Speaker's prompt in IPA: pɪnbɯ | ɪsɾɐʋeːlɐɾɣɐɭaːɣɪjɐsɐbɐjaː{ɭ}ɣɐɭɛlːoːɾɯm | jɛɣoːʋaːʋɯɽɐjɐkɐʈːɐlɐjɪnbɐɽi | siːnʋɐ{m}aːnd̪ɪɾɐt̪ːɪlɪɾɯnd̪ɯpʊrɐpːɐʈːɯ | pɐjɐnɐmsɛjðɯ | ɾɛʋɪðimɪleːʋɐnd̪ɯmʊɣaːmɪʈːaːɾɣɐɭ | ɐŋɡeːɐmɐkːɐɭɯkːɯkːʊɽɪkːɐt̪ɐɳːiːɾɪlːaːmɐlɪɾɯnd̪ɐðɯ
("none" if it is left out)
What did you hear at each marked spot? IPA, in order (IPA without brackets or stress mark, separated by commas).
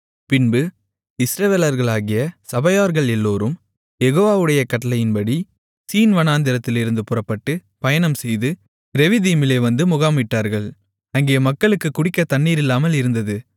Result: ɾ, n